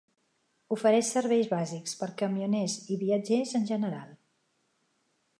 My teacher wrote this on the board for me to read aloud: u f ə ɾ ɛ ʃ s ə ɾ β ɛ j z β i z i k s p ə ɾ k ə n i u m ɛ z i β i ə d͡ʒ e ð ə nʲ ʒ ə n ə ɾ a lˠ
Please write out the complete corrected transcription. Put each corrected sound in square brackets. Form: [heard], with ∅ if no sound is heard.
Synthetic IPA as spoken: u f ə ɾ ɛ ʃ s ə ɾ β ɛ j z β [a] z i k s p ə ɾ k ə [m] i u [n] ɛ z i β i ə d͡ʒ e [z] ə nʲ ʒ ə n ə ɾ a lˠ